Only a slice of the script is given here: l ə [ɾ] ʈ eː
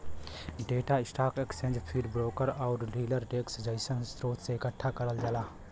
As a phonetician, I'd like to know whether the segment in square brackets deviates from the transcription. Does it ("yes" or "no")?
no